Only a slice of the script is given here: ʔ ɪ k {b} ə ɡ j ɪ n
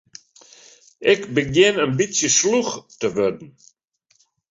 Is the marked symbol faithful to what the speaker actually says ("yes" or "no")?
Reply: yes